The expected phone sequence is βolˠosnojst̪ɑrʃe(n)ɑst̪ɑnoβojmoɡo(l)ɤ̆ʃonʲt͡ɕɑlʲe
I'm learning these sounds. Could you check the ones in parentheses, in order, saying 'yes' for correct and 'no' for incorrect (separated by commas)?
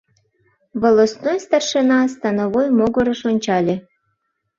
yes, no